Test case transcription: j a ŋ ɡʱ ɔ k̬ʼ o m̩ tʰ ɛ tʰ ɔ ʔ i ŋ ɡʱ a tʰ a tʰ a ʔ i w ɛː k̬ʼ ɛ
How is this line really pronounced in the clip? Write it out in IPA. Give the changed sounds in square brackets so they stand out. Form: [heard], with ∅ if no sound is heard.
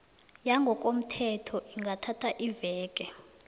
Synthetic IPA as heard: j a ŋ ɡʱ ɔ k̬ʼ o m̩ tʰ ɛ tʰ ɔ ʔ i ŋ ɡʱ a tʰ a tʰ a ʔ i [v] ɛː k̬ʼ ɛ